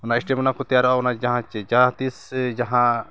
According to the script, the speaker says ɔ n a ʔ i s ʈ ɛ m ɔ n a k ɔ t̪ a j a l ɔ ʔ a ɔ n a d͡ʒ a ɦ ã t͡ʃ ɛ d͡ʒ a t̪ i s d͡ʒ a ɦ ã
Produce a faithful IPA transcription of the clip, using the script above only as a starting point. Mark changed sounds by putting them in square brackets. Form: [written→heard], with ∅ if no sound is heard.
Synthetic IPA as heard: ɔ n a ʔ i s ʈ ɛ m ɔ n a k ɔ t̪ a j a [l→ɾ] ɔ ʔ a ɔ n a d͡ʒ a ɦ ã t͡ʃ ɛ d͡ʒ a t̪ i s d͡ʒ a ɦ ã